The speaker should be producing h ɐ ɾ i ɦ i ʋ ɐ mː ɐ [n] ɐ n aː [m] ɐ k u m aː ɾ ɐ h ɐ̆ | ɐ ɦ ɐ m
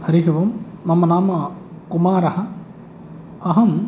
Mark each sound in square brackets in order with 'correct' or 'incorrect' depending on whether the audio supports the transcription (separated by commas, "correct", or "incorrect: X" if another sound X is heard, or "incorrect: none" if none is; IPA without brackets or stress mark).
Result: incorrect: m, correct